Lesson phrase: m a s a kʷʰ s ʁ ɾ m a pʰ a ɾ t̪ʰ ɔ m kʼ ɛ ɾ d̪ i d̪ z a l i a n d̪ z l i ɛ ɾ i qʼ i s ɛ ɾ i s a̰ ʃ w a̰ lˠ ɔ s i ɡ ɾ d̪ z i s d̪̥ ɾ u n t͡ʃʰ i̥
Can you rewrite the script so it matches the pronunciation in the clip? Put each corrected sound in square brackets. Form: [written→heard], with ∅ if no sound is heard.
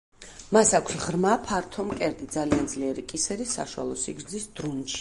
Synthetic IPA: m a s a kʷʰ s ʁ ɾ m a pʰ a ɾ t̪ʰ ɔ m kʼ ɛ ɾ d̪ i d̪ z a l i a n d̪ z l i ɛ ɾ i [qʼ→kʼ] i s ɛ ɾ i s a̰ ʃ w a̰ lˠ ɔ s i ɡ ɾ d̪ z i s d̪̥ ɾ u n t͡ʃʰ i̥